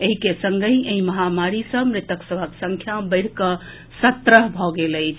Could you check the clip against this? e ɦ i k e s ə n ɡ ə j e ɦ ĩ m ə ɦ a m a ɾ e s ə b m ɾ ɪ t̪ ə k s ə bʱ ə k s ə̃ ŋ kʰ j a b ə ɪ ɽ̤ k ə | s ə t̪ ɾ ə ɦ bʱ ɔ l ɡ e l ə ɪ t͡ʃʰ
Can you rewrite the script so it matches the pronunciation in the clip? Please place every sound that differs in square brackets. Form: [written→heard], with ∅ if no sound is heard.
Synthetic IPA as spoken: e ɦ i k e s ə [n→ŋ] ɡ ə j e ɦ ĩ m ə ɦ a m a ɾ [e→i] s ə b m ɾ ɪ t̪ ə k s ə bʱ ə k s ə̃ ŋ kʰ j a b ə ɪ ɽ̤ k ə | s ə t̪ ɾ ə ɦ bʱ ɔ [l→∅] ɡ e l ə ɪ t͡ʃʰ